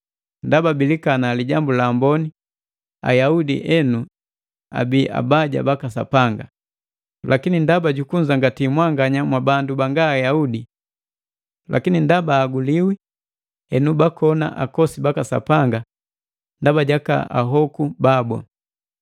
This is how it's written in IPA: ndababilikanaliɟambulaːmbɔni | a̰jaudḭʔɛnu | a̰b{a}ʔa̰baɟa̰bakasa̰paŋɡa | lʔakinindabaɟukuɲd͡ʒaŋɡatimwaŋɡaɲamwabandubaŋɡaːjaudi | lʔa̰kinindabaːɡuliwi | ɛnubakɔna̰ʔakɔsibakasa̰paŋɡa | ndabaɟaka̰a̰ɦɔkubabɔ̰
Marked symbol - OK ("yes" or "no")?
no